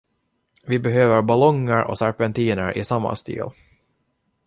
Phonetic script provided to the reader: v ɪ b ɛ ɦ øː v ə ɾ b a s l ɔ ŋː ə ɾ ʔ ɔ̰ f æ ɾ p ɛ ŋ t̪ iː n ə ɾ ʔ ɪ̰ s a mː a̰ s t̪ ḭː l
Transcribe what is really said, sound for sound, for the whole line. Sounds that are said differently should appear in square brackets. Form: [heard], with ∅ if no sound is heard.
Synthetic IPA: v ɪ b ɛ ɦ øː v ə ɾ b a [∅] l ɔ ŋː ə ɾ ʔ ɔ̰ [s] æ ɾ p ɛ [n] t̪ iː n ə ɾ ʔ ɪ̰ s a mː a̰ s t̪ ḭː l